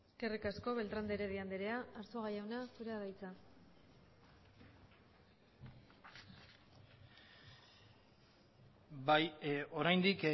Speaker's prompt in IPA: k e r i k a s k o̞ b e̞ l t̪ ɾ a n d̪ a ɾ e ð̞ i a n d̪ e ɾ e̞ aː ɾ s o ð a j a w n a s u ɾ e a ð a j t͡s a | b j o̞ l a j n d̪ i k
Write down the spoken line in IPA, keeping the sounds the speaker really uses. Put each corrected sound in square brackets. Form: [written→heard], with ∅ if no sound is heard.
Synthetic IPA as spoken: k e r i k a s k o̞ [b→β] e̞ l t̪ ɾ a n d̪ [a→e] ɾ e ð̞ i a n d̪ e ɾ e̞ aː ɾ s o [ð→ɣ] a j a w n a s u ɾ e a ð a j t͡s a | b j o̞ [l→ɾ] a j n d̪ i k